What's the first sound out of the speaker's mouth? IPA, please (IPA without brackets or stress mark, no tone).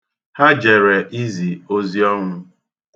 h